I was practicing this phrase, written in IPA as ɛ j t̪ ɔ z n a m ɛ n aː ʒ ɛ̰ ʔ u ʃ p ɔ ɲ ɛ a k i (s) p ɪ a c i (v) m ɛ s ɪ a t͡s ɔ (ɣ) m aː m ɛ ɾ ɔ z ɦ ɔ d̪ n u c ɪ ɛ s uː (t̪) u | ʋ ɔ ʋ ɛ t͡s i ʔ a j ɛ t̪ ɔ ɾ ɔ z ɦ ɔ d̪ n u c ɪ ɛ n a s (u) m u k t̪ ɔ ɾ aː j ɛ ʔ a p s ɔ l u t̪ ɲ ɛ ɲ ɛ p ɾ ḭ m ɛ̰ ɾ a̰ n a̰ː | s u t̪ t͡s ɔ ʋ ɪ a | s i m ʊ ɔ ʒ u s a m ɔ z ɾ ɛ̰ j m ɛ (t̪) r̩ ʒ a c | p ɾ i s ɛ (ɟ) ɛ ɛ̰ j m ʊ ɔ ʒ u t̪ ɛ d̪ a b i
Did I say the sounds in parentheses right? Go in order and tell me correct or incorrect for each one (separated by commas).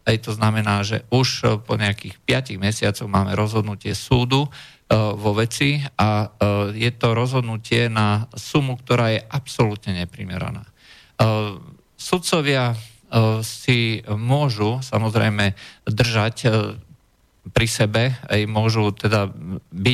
incorrect, incorrect, correct, incorrect, correct, incorrect, incorrect